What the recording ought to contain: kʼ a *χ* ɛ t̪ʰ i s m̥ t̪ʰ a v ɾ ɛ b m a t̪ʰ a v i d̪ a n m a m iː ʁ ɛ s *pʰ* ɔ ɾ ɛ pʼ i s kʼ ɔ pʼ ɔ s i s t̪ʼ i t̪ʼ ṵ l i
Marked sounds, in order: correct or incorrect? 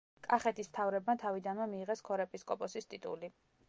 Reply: correct, incorrect

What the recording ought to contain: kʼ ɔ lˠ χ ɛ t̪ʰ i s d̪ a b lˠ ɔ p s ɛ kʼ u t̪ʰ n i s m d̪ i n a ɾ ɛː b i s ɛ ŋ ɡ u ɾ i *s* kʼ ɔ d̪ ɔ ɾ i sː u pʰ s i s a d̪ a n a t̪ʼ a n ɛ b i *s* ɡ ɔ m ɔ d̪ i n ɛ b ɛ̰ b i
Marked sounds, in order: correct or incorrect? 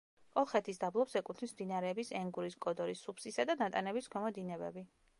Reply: correct, correct

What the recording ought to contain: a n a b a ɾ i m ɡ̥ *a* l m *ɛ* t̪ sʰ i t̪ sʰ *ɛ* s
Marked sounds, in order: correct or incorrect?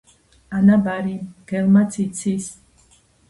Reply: incorrect, incorrect, incorrect

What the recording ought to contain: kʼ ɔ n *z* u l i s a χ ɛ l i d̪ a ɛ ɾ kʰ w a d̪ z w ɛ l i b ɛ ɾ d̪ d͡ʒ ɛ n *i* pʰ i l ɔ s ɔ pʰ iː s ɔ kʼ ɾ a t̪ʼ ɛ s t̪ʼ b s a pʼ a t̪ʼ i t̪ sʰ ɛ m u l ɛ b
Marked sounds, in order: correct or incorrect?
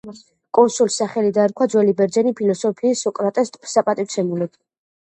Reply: incorrect, correct

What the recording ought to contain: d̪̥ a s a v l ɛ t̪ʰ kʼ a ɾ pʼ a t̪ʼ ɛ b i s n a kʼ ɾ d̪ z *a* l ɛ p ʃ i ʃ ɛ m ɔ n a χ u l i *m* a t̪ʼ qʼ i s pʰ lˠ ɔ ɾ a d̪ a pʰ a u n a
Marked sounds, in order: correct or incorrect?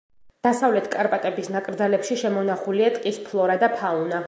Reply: correct, incorrect

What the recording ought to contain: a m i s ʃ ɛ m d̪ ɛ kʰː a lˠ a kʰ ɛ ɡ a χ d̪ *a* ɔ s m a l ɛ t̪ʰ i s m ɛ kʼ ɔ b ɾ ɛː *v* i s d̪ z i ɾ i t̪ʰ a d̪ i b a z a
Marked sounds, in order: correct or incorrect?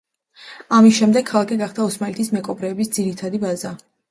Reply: correct, incorrect

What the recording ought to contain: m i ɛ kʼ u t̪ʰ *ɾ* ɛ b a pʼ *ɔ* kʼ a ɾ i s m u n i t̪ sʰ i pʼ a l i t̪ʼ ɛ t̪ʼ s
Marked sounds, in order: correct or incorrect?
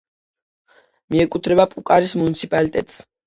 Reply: correct, incorrect

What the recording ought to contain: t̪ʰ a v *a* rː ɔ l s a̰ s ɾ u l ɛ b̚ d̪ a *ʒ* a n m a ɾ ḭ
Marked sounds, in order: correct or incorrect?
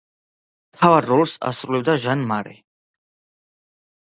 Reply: correct, correct

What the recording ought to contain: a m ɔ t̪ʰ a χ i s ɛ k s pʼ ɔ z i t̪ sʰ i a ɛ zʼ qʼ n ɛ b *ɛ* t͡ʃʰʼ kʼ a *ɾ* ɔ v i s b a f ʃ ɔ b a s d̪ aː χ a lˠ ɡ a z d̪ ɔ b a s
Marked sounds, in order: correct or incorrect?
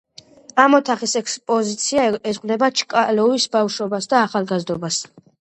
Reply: incorrect, incorrect

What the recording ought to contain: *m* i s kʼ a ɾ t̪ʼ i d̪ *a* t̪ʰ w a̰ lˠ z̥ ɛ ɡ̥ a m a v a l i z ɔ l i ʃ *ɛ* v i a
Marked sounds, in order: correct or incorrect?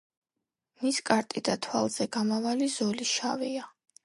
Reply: correct, correct, incorrect

